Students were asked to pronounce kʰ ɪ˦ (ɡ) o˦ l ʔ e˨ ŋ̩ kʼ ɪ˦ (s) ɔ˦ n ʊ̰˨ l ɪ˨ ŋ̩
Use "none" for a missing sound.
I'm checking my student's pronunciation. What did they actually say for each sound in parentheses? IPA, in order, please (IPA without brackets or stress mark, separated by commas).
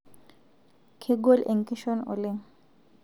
ɡ, ʃ